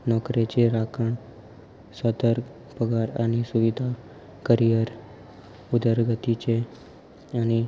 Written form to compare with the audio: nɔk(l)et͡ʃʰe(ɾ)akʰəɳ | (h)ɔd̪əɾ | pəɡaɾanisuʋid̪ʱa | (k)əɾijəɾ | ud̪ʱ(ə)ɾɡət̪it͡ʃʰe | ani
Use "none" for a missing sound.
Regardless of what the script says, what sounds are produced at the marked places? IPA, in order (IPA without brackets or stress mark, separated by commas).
ɾ, ɾ, s, k, ə